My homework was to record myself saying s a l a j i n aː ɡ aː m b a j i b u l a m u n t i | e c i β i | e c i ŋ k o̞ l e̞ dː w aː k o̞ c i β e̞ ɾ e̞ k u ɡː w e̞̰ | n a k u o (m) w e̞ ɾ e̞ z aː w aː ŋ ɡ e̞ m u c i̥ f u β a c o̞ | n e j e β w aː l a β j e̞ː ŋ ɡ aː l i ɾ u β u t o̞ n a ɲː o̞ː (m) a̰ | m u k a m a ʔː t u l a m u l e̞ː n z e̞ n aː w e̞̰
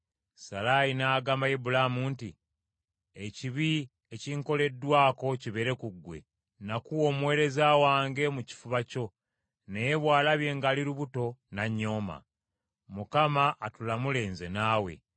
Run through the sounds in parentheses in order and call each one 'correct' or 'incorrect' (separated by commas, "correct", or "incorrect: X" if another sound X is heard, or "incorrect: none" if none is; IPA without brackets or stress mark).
correct, correct